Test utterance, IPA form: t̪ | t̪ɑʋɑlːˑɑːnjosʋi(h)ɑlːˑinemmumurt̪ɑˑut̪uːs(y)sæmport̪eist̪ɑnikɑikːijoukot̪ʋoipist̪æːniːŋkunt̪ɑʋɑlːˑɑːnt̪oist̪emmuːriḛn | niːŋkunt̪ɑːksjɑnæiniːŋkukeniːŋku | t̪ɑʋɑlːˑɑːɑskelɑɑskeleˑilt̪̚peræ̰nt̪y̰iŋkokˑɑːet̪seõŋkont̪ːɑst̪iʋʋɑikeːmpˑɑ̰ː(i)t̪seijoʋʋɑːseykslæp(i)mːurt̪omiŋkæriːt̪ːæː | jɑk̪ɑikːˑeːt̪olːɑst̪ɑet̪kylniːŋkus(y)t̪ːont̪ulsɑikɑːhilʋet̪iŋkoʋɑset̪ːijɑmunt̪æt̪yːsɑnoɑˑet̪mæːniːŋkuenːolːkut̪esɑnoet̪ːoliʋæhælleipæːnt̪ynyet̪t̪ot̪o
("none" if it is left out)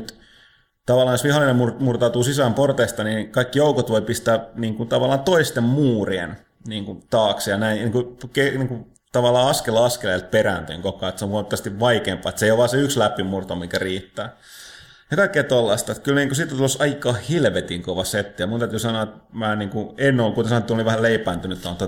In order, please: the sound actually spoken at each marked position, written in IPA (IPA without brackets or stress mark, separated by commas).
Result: h, i, e, i, i